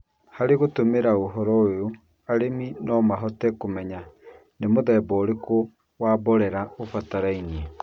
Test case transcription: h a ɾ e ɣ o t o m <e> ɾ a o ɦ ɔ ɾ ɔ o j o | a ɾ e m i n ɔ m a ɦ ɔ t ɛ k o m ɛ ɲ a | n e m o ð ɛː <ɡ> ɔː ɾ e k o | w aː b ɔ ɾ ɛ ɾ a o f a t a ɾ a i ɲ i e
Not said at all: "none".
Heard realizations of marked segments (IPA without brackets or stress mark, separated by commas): e, b